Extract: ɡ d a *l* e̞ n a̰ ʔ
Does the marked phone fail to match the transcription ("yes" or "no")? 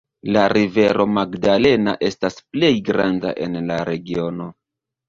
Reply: no